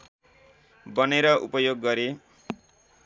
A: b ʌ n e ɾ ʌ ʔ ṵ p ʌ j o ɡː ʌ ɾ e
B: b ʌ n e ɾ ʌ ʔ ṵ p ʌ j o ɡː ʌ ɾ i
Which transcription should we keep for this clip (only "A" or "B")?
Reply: A